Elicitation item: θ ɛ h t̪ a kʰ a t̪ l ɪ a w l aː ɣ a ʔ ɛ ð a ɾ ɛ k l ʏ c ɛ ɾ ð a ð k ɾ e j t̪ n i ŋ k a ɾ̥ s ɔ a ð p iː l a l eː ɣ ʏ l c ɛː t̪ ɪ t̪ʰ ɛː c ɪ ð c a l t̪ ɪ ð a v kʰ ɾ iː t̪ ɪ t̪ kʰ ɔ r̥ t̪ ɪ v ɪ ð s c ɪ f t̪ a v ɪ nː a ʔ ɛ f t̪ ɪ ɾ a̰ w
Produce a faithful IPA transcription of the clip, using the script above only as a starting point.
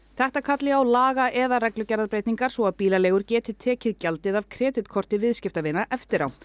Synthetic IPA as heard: θ ɛ h t̪ a kʰ a t̪ l ɪ a w l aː ɣ a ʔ ɛ ð a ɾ ɛ k l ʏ c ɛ ɾ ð a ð p ɾ e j t̪ n i ŋ k a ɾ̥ s ɔ a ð p iː l a l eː ɣ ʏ ɾ c ɛː t̪ ɪ t̪ʰ ɛː c ɪ ð c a l t̪ ɪ ð a v kʰ ɾ ɛː t̪ ɪ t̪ kʰ ɔ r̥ t̪ ɪ v ɪ ð s c ɪ f t̪ a v ɪ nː a ʔ ɛ f t̪ ɪ ɾ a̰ w